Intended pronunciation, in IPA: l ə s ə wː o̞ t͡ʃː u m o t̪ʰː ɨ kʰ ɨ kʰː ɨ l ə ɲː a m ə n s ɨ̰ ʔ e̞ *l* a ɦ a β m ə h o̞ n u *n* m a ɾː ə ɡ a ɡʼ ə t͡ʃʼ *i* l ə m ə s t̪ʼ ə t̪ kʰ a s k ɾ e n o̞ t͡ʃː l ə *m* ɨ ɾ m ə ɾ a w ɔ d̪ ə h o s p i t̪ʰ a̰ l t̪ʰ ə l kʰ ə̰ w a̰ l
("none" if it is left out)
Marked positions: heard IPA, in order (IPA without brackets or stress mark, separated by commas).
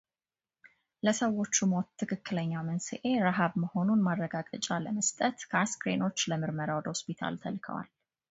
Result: ɾ, n, a, m